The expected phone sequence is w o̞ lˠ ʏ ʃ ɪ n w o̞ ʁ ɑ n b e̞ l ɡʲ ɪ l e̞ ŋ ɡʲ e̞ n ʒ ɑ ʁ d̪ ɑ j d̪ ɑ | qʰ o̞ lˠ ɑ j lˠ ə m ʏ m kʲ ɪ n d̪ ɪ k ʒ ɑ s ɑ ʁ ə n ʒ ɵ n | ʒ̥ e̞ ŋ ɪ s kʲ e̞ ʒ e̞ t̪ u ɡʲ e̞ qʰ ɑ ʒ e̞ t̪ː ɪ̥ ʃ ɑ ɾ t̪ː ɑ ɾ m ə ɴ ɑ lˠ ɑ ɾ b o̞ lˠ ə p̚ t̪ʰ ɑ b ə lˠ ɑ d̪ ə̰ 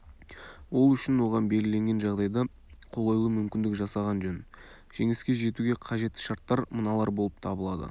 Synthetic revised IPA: w o̞ lˠ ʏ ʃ ɪ n w o̞ ʁ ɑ n b e̞ l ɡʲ ɪ l e̞ ŋ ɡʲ e̞ n ʒ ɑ ʁ d̪ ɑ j d̪ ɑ | qʰ o̞ lˠ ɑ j lˠ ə m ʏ m kʲ ɪ n d̪ ɪ k ʒ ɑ s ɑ ʁ ɑ n ʒ ɵ n | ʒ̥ e̞ ŋ ɪ s kʲ e̞ ʒ e̞ t̪ u ɡʲ e̞ qʰ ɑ ʒ e̞ t̪ː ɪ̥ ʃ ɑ ɾ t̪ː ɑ ɾ m ə n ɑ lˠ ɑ ɾ b o̞ lˠ ə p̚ t̪ʰ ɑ b ə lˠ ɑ d̪ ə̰